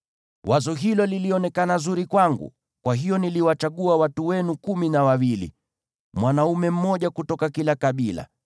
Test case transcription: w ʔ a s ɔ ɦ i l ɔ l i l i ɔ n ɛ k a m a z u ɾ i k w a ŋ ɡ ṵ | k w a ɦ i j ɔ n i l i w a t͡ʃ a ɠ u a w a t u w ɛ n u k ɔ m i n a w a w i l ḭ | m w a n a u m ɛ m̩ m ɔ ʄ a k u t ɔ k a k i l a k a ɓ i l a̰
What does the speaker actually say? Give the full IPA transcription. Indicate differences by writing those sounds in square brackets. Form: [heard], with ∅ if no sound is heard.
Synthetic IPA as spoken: w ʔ a [z] ɔ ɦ i l ɔ l i l i ɔ n ɛ k a [n] a z u ɾ i k w a ŋ ɡ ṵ | k w a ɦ i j ɔ n i l i w a t͡ʃ a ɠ u a w a t u w ɛ n u k [u] m i n a w a w i l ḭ | m w a n a u m ɛ m̩ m ɔ ʄ a k u t ɔ k a k i l a k a ɓ i l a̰